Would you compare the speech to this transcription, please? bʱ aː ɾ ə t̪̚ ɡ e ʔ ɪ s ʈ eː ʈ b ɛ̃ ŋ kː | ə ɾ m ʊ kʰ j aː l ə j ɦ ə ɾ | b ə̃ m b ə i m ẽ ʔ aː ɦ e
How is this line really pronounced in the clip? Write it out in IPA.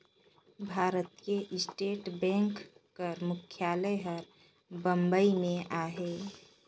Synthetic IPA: bʱ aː ɾ ə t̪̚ k e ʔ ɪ s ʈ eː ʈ b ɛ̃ ŋ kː | ə ɾ m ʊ kʰ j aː l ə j ɦ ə ɾ | b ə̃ m b ə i m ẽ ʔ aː ɦ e